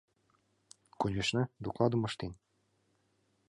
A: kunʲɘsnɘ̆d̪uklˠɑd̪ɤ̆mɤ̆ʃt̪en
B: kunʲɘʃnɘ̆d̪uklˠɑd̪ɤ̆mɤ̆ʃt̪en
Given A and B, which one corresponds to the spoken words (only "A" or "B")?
B